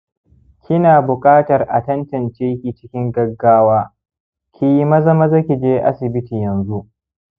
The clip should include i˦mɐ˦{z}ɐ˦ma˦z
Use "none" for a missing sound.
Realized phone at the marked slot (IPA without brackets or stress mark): z